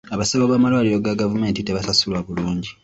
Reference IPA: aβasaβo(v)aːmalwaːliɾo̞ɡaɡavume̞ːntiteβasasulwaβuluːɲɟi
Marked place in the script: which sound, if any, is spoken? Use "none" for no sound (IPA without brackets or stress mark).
β